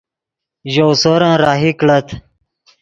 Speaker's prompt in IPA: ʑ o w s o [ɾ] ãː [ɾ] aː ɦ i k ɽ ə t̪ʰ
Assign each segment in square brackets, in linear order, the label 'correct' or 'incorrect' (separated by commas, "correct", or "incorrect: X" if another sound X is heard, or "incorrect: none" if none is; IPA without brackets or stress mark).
correct, correct